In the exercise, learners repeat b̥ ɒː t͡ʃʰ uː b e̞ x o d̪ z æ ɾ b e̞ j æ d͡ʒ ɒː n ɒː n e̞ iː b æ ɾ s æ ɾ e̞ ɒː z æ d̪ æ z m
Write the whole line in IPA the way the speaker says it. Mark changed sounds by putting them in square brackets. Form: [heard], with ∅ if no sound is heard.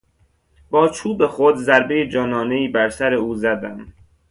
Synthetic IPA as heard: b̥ ɒː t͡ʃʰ uː b e̞ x o d̪ z æ ɾ b e̞ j [e] d͡ʒ ɒː n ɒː n e̞ iː b æ ɾ s æ ɾ e̞ [uː] z æ d̪ æ [∅] m